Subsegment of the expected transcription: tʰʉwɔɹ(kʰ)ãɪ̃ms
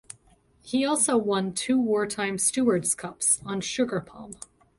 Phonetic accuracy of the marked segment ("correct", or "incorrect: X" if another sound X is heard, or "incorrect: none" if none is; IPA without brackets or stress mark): incorrect: tʰ